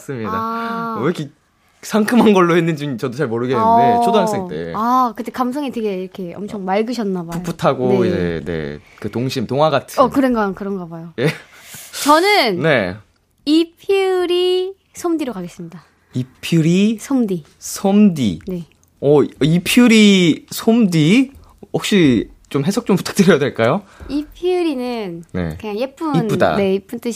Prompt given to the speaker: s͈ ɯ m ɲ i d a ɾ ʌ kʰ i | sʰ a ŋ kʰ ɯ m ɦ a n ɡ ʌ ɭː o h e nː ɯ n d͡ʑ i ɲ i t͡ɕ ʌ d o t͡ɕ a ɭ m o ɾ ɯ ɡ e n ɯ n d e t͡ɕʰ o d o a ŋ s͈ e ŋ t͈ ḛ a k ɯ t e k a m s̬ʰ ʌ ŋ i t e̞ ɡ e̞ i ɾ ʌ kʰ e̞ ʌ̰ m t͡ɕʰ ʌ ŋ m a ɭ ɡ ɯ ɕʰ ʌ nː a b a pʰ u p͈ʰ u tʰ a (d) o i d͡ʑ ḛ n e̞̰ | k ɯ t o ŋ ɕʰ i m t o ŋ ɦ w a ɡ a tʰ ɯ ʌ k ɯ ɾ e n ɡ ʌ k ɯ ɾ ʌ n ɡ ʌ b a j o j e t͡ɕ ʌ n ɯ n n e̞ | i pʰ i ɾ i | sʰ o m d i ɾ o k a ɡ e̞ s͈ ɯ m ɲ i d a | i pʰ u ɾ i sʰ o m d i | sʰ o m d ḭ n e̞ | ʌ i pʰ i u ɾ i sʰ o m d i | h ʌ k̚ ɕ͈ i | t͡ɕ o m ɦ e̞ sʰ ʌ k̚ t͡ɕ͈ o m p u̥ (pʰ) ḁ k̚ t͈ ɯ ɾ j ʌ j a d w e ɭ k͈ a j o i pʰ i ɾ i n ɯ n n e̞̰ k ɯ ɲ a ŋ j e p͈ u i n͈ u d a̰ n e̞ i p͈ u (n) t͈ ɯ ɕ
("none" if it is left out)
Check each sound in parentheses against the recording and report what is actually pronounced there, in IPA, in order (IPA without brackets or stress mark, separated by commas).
ɡ, tʰ, n